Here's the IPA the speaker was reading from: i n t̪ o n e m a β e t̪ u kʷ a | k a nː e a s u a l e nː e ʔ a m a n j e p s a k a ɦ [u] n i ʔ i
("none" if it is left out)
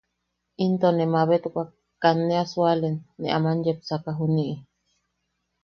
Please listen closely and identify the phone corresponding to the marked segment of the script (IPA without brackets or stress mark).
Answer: u